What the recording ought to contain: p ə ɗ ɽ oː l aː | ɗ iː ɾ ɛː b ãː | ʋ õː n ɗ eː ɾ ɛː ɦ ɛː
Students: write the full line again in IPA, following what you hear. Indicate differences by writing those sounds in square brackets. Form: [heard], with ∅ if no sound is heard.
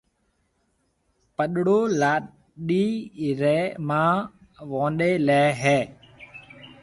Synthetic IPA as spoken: p ə ɗ ɽ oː l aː | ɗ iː ɾ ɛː [m] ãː | ʋ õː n ɗ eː [l] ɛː ɦ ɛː